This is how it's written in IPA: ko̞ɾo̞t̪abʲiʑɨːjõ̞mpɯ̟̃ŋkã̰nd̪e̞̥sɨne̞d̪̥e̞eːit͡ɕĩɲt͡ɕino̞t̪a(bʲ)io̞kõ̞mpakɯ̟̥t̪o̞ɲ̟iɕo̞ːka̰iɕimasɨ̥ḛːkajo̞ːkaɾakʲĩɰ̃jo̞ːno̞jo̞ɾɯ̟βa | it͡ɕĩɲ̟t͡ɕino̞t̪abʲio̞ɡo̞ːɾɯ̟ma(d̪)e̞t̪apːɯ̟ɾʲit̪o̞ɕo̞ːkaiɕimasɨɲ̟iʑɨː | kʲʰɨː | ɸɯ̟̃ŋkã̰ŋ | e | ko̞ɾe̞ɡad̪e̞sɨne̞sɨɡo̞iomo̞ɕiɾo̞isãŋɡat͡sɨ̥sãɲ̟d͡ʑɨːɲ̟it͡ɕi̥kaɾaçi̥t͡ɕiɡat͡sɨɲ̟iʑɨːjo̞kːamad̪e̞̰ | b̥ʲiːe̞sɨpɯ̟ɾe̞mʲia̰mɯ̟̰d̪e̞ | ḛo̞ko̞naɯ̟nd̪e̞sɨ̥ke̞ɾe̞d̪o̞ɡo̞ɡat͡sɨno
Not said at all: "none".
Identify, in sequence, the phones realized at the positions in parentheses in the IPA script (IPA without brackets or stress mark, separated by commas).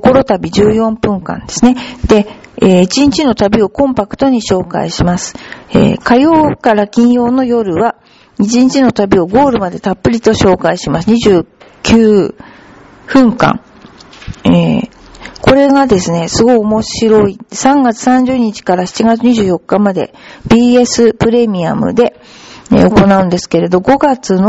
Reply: bʲ, d̪